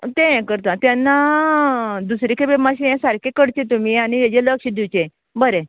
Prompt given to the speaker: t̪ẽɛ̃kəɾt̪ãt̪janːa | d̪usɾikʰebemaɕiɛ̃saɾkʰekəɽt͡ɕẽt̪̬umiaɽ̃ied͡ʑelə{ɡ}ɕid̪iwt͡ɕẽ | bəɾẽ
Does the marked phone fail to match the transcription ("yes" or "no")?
yes